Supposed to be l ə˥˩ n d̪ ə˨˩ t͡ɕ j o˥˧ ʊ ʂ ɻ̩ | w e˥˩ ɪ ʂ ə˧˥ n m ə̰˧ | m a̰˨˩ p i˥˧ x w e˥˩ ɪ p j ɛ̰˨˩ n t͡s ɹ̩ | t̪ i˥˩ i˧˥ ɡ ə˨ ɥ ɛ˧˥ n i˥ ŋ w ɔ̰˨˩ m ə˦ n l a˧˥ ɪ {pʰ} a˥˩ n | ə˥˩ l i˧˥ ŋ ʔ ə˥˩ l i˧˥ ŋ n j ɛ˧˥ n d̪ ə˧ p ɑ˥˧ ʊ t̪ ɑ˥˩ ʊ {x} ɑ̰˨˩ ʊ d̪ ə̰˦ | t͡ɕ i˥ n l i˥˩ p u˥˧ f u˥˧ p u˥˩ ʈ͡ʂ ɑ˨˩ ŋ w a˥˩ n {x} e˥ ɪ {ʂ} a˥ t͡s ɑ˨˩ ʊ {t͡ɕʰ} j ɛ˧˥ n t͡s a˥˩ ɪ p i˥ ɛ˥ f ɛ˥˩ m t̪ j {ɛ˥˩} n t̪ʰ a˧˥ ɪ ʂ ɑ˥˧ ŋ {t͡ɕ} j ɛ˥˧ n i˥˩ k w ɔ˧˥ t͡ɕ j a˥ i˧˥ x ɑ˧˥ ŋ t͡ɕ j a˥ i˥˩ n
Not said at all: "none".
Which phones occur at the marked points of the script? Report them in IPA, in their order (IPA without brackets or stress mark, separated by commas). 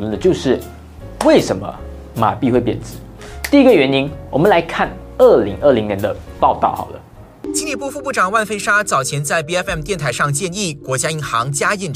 kʰ, x, f, ʂ, t͡ɕʰ, ɛ˥˩, t͡ɕ